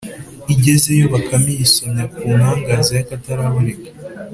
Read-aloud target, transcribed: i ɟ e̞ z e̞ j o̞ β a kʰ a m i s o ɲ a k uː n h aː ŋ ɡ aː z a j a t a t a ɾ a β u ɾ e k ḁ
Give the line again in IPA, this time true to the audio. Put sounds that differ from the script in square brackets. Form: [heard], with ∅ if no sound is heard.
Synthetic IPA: i ɟ e̞ z e̞ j o̞ β a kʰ a m i s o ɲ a k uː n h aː ŋ ɡ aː z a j a [k] a t a ɾ a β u ɾ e k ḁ